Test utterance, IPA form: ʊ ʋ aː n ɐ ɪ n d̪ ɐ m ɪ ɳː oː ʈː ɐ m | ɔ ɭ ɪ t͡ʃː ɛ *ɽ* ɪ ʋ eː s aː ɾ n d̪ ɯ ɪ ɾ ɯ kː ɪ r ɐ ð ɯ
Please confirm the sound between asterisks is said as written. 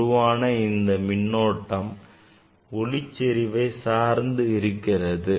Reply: no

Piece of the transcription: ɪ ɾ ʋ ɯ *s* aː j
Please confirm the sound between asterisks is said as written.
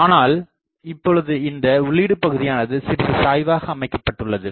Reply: yes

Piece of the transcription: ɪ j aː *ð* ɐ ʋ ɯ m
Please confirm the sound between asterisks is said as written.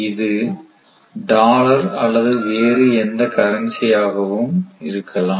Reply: no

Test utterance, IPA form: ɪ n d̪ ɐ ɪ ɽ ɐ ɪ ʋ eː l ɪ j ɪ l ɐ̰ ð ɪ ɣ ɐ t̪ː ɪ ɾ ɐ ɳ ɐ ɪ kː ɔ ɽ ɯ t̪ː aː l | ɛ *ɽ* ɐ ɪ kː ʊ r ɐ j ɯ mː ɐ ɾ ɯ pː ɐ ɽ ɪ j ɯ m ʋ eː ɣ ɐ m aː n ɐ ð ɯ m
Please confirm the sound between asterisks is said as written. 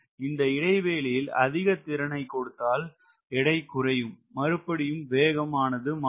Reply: yes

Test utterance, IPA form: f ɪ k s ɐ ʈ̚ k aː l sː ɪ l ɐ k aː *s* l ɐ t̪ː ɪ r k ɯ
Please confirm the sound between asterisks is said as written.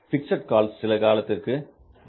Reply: no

